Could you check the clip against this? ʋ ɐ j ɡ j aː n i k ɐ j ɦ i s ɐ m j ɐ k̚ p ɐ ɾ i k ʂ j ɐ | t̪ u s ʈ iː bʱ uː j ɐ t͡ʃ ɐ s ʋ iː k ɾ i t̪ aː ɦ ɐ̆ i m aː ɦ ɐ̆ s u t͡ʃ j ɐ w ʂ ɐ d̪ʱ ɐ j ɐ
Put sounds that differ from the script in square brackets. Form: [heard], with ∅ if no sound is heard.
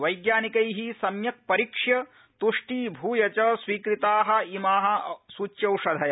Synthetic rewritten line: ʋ ɐ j ɡ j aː n i k ɐ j ɦ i s ɐ m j ɐ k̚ p ɐ ɾ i k ʂ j ɐ | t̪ u [ʂ] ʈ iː bʱ uː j ɐ t͡ʃ ɐ s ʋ iː k ɾ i t̪ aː ɦ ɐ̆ i m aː ɦ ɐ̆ s u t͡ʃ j ɐ w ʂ ɐ d̪ʱ ɐ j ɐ